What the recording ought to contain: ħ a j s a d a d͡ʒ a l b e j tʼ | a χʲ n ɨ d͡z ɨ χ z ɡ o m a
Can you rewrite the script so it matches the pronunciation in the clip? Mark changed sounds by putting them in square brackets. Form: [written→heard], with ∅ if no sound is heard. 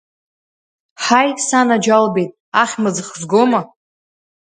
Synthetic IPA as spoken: ħ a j s a [d→n] a d͡ʒ a l b e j tʼ | a χʲ [n→m] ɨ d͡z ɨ χ z ɡ o m a